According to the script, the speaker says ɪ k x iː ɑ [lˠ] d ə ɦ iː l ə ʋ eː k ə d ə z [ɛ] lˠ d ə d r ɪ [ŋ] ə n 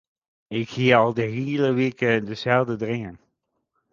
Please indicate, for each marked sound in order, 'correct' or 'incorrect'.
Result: correct, correct, correct

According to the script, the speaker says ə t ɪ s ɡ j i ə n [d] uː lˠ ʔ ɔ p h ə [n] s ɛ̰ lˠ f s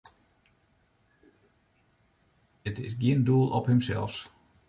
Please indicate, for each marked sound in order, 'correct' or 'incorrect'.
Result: correct, incorrect

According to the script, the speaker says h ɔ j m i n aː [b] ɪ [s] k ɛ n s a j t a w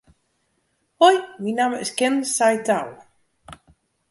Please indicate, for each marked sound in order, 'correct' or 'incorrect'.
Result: incorrect, correct

